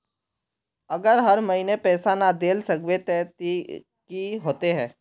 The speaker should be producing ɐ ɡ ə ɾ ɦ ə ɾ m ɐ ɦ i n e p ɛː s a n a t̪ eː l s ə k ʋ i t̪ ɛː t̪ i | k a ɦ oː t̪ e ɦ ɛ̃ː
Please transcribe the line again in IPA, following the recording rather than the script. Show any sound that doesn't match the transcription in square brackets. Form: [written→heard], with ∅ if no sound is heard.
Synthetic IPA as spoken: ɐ ɡ ə ɾ ɦ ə ɾ m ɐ ɦ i n e p ɛː s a n a [t̪→d̪] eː l s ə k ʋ [i→e] t̪ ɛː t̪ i | k [a→i] ɦ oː t̪ e ɦ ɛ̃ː